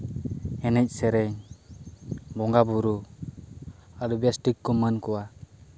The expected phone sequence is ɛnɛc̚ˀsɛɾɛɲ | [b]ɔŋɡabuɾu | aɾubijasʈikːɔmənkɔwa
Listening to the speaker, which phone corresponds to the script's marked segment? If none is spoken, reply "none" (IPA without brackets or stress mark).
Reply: b